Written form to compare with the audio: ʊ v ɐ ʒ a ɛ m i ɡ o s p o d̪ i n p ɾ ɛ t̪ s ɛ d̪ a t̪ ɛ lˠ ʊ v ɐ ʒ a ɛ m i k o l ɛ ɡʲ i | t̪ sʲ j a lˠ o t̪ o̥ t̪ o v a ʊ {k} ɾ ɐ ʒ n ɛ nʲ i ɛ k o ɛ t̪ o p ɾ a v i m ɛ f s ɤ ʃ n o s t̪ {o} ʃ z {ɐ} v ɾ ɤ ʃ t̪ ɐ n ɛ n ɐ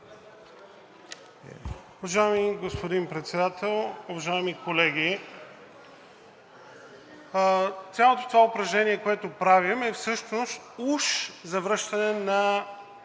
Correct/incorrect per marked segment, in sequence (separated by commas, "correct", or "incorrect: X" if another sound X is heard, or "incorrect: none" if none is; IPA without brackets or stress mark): incorrect: p, incorrect: u, correct